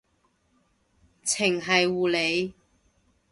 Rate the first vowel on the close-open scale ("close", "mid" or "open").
close